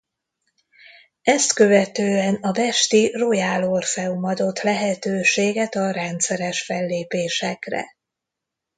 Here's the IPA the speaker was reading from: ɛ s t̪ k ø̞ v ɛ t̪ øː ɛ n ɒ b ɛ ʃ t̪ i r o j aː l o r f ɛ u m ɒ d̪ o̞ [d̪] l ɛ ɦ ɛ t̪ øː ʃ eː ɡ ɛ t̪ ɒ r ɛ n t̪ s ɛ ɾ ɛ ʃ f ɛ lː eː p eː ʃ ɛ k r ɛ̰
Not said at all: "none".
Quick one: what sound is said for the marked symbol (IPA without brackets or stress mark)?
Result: t̪